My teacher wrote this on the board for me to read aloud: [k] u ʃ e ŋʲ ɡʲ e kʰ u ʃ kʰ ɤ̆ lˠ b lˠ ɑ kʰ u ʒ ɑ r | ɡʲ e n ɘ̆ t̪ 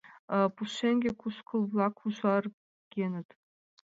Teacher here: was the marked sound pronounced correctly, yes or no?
no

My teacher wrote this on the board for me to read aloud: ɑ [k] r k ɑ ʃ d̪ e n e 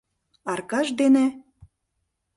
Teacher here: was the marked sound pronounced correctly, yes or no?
no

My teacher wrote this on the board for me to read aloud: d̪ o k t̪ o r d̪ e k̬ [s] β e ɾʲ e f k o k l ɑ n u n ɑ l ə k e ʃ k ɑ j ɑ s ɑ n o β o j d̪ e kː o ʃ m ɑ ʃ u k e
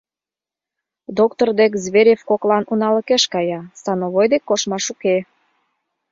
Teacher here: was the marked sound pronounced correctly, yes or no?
no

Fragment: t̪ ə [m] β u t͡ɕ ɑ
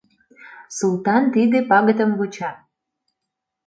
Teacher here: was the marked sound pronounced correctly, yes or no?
yes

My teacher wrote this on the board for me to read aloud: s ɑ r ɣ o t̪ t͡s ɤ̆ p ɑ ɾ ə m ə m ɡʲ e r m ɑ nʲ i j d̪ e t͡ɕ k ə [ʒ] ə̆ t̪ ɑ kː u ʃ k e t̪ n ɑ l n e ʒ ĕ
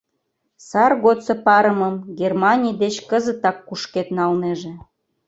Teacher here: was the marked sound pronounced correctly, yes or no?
no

